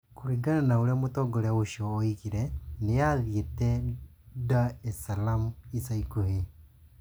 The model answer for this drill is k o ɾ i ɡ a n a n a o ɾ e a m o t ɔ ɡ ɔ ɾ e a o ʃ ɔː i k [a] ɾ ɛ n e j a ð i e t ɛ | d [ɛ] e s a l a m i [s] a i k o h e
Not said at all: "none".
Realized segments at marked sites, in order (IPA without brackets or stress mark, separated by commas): i, a, s